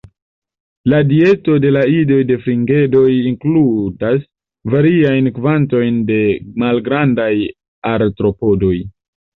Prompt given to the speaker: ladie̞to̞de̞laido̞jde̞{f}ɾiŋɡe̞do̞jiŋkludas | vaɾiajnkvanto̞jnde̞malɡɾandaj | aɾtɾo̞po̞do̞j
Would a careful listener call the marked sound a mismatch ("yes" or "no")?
no